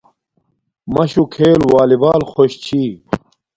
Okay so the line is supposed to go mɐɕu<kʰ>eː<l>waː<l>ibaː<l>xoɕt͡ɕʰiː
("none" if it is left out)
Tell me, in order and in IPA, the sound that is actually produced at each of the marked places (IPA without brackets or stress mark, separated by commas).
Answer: kʰ, l, l, l